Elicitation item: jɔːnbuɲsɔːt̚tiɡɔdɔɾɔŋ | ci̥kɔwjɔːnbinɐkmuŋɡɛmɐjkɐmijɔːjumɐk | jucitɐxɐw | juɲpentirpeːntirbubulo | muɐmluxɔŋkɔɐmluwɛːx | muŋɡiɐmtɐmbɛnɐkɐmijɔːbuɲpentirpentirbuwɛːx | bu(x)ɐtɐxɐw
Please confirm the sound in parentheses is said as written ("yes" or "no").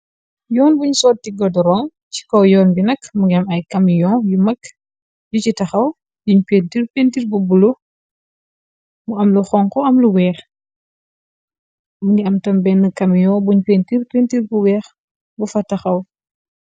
no